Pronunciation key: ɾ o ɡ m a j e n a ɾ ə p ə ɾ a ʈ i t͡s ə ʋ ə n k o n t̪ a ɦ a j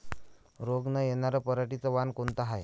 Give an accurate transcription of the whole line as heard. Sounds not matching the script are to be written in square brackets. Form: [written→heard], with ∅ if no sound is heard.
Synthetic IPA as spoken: ɾ o ɡ [m→n] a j e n a ɾ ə p ə ɾ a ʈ i t͡s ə ʋ [ə→a] n k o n t̪ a ɦ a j

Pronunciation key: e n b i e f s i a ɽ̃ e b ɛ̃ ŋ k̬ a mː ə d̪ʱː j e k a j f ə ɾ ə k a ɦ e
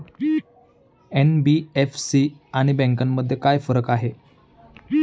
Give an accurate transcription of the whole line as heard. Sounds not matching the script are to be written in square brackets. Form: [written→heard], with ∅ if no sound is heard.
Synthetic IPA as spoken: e n b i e f s i a ɽ̃ [e→i] b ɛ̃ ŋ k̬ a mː ə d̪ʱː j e k a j f ə ɾ ə k a ɦ e

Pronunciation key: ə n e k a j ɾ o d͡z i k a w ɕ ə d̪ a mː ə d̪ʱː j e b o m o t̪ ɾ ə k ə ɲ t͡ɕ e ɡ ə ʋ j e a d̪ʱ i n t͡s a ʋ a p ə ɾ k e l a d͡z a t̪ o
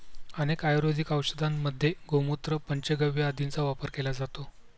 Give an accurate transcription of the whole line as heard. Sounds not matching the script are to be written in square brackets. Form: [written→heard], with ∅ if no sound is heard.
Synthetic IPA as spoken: ə n e k a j ɾ o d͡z i k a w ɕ ə d̪ a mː ə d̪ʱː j e [b→ɡ] o m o t̪ ɾ ə [k→p] ə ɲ t͡ɕ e ɡ ə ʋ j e a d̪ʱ i n t͡s a ʋ a p ə ɾ k e l a d͡z a t̪ o

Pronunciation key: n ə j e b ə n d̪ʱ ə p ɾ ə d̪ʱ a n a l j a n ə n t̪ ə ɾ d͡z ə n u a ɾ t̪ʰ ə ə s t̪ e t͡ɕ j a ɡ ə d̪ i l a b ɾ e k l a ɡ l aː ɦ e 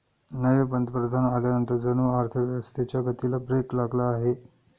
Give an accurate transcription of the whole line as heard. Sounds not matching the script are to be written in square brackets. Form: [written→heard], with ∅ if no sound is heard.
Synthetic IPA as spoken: n ə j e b ə n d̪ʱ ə p ɾ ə d̪ʱ a n a l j a n ə n t̪ ə ɾ d͡z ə n u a ɾ t̪ʰ ə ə s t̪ e t͡ɕ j a ɡ ə [d̪→t̪] i l a b ɾ e k l a ɡ l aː ɦ e

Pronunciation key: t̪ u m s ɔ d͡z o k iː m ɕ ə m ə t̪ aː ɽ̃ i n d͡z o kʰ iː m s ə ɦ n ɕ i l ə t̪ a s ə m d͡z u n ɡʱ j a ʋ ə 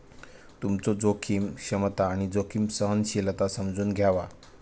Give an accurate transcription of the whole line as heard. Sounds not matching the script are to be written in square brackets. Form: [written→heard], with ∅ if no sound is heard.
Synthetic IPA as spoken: t̪ u m [s→t͡s] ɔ d͡z o [k→kʰ] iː m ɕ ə m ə t̪ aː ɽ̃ i [n→∅] d͡z o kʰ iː m s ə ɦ n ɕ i l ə t̪ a s ə m d͡z [u→uː] n ɡʱ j a ʋ [ə→a]

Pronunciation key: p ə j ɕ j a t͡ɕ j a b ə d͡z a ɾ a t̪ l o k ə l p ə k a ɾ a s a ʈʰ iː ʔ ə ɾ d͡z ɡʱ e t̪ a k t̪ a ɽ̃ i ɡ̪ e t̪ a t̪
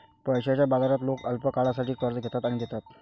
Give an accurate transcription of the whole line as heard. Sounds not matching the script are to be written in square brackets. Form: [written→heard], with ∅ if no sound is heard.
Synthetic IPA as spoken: p ə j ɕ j a t͡ɕ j a b [ə→a] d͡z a ɾ a t̪ l o k ə l p ə k a [ɾ→ɭ] a s a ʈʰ iː [ʔ→k] ə ɾ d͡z ɡʱ e t̪ a [k→∅] t̪ a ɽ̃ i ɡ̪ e t̪ a t̪

